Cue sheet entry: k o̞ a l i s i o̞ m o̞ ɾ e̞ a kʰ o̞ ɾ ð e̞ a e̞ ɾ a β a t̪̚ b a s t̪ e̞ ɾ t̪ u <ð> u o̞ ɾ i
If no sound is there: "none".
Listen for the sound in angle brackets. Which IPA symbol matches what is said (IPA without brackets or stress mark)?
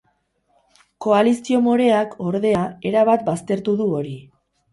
ð